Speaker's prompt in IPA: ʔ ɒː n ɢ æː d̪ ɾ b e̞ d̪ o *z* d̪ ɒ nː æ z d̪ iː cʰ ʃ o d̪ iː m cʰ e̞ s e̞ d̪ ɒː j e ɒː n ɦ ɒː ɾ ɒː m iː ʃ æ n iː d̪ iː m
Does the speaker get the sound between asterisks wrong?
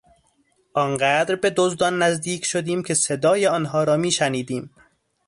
no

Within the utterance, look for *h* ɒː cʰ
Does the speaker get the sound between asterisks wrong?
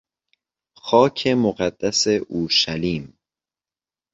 yes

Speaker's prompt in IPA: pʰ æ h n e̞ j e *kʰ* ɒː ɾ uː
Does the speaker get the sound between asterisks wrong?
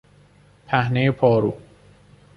yes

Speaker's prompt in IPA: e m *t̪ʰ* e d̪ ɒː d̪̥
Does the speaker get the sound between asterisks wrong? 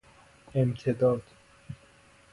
no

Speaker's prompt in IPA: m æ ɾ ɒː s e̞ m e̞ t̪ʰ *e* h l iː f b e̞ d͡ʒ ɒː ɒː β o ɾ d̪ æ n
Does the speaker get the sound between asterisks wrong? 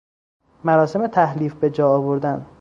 yes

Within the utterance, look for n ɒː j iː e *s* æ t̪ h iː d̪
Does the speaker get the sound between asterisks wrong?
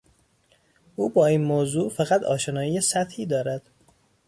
no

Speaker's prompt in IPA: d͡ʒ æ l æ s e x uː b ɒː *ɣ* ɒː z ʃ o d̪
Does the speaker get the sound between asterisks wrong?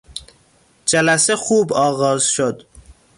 no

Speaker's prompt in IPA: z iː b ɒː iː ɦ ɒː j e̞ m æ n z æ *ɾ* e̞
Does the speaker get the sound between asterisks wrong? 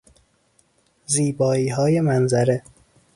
no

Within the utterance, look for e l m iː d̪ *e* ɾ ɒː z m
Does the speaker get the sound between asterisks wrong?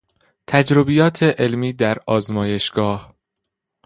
yes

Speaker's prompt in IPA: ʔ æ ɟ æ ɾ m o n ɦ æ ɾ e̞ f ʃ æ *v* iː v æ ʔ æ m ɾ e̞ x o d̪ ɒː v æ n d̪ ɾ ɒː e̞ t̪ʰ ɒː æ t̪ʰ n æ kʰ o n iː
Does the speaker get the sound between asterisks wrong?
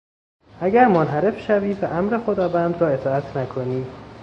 no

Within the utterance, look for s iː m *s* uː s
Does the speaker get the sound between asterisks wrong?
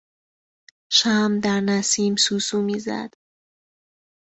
no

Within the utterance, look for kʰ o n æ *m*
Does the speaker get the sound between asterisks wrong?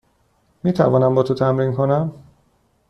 no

